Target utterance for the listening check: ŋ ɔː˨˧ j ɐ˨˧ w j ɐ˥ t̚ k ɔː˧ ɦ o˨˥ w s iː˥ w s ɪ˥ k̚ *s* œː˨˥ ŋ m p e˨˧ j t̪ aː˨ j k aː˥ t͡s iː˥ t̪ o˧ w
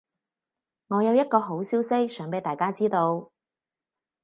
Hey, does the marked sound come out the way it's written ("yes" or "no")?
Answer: yes